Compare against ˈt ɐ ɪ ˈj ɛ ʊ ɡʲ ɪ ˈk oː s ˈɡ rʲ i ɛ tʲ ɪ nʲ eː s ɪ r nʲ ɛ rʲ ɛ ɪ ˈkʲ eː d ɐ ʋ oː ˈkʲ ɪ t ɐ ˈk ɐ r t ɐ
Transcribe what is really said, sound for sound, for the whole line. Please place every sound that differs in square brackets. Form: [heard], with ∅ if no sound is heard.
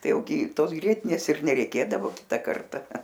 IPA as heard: ˈt ɐ ɪ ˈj ɛ ʊ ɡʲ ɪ [ˈt] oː s ˈɡ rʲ i ɛ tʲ ɪ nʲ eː s ɪ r nʲ ɛ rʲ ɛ ɪ ˈkʲ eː d ɐ ʋ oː ˈkʲ ɪ t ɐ ˈk ɐ r t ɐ